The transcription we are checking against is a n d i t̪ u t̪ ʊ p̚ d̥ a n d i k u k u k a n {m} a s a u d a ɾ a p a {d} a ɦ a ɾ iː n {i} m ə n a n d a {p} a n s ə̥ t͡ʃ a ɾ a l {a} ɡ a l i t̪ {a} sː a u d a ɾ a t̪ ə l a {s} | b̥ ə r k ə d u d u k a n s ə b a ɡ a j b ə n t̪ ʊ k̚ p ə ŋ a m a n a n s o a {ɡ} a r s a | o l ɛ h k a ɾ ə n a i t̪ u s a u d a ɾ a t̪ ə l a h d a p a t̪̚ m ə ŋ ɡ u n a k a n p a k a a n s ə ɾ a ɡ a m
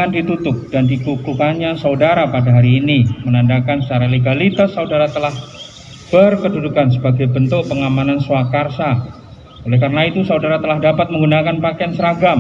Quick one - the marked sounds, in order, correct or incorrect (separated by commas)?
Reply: incorrect, correct, correct, incorrect, incorrect, correct, incorrect, incorrect